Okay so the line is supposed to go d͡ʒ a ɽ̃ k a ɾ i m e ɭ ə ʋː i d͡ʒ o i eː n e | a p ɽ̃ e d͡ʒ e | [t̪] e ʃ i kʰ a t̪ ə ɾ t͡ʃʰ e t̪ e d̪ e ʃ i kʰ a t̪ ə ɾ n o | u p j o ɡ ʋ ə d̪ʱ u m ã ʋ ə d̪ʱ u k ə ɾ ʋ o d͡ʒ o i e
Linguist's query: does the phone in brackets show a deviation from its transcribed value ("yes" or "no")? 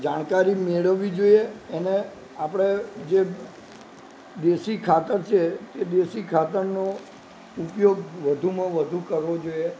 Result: yes